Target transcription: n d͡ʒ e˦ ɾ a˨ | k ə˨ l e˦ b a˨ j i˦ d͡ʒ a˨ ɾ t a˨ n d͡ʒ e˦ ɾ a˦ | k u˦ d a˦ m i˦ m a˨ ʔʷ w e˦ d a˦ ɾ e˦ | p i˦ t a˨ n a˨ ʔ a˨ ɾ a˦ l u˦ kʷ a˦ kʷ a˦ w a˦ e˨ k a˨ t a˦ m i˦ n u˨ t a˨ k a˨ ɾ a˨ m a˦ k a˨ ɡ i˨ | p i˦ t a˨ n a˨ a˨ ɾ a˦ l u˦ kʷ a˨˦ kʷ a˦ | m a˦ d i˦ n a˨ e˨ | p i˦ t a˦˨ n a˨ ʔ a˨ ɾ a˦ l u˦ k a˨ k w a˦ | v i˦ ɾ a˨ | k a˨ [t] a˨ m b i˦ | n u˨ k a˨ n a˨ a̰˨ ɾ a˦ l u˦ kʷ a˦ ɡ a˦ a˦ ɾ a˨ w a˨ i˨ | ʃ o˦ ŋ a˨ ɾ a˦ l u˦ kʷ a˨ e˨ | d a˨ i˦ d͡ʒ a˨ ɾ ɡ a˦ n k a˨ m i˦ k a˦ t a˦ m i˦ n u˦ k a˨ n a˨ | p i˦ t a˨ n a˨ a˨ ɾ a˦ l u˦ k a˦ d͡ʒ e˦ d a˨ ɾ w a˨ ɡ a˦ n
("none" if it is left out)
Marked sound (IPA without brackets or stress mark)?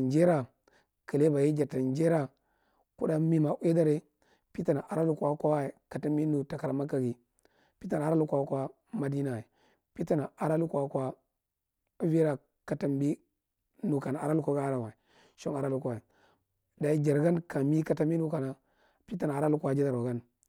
t